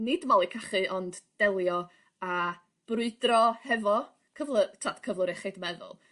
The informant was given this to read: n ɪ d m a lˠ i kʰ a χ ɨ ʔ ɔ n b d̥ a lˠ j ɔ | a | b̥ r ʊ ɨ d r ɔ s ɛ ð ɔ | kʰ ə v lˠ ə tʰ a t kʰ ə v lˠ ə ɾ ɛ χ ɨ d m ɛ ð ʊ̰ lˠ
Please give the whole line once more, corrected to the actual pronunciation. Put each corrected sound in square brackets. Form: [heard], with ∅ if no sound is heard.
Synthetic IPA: n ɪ d m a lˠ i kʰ a χ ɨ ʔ ɔ n [d] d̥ [ɛ] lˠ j ɔ | a | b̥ r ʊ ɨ d r ɔ [h] ɛ [v] ɔ | kʰ ə v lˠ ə tʰ a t kʰ ə v lˠ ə ɾ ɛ χ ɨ d m ɛ ð ʊ̰ lˠ